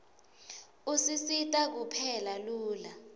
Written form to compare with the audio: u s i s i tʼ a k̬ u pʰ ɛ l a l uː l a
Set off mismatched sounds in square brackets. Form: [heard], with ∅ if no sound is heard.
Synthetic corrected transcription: u s i s i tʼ a k̬ u pʰ ɛ l a l uː l a